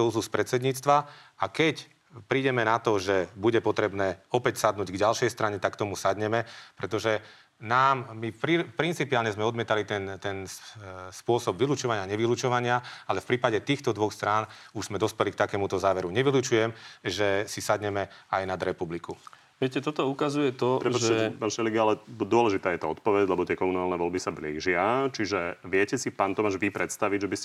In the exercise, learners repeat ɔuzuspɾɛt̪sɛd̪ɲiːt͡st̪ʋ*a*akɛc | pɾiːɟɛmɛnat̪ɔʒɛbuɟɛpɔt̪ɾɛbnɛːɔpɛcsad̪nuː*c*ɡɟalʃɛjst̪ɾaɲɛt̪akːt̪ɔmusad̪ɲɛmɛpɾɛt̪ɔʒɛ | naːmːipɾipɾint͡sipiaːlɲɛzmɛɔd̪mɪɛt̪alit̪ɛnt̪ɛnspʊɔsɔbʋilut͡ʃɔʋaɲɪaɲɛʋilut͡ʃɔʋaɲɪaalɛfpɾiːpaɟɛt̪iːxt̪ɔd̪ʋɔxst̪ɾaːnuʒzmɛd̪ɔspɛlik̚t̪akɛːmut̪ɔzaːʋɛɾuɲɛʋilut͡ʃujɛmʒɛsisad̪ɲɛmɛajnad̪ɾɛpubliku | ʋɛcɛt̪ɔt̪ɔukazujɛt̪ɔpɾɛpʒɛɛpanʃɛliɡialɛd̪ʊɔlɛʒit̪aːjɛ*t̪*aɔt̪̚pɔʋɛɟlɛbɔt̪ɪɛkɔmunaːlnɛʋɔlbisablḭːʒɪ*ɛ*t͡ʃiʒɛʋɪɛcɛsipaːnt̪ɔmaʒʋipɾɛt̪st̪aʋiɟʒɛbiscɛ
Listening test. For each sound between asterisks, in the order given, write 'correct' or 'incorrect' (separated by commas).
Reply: correct, incorrect, correct, incorrect